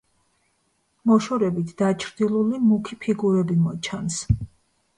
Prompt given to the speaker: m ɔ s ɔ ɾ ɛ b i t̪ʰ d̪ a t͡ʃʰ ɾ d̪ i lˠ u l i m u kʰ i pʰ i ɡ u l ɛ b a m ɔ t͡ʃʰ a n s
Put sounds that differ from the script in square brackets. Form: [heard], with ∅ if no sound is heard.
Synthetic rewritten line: m ɔ [ʃ] ɔ ɾ ɛ b i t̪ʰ d̪ a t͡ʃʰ ɾ d̪ i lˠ u l i m u kʰ i pʰ i ɡ u [ɾ] ɛ b [i] m ɔ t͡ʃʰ a n s